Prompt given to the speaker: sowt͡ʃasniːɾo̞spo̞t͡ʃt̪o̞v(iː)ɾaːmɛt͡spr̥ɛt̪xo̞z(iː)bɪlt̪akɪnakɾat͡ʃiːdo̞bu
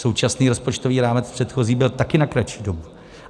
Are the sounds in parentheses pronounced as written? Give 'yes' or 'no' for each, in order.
yes, yes

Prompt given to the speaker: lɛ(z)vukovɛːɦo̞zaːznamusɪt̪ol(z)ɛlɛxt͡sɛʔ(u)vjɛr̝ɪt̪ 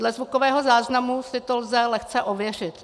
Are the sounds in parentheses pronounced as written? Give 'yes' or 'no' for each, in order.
yes, yes, no

